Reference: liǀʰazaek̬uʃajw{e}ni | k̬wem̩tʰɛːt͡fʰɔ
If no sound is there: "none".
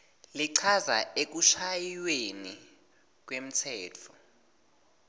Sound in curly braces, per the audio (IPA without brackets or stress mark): e